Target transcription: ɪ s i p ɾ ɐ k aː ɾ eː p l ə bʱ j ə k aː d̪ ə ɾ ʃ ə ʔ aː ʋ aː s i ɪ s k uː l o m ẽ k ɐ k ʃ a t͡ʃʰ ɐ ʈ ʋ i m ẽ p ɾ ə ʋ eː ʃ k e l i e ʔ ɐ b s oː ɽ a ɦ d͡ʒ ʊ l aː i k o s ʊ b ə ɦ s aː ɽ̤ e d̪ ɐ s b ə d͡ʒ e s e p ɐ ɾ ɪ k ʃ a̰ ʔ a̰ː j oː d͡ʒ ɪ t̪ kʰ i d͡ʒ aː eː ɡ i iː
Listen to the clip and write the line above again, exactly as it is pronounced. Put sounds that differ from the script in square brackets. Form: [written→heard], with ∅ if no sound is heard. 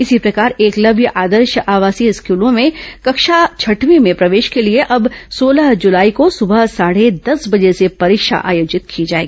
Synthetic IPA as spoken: ɪ s i p ɾ ɐ k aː ɾ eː [p→k] l [ə→ɐ] bʱ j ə [k→ʔ] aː d̪ ə ɾ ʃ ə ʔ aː ʋ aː s i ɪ s k uː l [o→õ] m ẽ k ɐ k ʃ a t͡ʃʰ ɐ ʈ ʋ i m ẽ p ɾ [ə→ɐ] ʋ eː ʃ k e l i e ʔ ɐ b s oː [ɽ→l] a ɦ d͡ʒ ʊ l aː i k o s ʊ b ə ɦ s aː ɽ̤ e d̪ ɐ s b [ə→ɐ] d͡ʒ e s e p ɐ ɾ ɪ k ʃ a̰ ʔ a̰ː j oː d͡ʒ ɪ t̪ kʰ i d͡ʒ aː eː ɡ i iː